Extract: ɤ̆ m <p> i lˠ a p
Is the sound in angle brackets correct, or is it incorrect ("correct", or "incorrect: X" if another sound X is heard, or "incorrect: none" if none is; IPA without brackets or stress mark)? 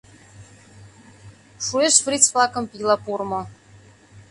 correct